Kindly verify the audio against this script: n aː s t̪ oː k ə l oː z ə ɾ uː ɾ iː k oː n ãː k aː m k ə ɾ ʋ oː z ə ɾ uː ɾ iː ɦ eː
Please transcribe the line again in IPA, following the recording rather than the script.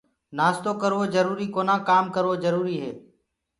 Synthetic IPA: n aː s t̪ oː k ə ɾ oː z ə ɾ uː ɾ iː k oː n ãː k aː m k ə ɾ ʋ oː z ə ɾ uː ɾ iː ɦ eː